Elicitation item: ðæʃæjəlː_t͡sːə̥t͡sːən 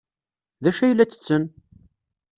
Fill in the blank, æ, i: æ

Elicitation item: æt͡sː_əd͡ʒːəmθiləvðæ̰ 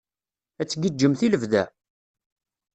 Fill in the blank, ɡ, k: ɡ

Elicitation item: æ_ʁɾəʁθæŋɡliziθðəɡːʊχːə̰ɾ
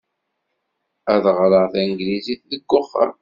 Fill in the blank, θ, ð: ð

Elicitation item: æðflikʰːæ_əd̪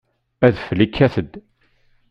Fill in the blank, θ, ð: θ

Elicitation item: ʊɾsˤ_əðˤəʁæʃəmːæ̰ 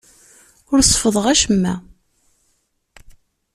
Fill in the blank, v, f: f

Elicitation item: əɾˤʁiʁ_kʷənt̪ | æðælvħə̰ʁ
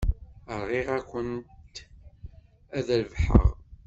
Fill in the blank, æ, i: æ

